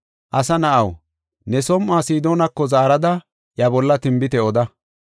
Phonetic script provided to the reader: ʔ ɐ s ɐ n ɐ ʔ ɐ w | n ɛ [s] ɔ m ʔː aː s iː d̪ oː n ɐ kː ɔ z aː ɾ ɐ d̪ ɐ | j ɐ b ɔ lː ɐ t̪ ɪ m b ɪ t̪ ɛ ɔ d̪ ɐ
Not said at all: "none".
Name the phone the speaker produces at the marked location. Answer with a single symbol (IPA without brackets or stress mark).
s